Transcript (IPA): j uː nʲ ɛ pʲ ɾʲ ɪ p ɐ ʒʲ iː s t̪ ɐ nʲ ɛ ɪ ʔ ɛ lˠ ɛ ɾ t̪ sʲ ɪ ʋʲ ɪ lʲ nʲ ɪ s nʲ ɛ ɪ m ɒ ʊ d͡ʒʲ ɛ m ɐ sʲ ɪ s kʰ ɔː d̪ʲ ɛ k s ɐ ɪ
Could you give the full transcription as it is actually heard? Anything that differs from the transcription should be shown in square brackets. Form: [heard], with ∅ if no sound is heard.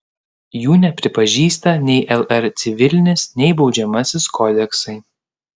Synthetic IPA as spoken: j uː nʲ ɛ pʲ ɾʲ ɪ p ɐ ʒʲ iː s t̪ ɐ nʲ ɛ ɪ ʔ ɛ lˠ ɛ ɾ t̪ sʲ ɪ ʋʲ ɪ lʲ nʲ ɪ s nʲ ɛ ɪ [b] ɒ ʊ d͡ʒʲ ɛ m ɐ sʲ ɪ s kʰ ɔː d̪ʲ ɛ k s ɐ ɪ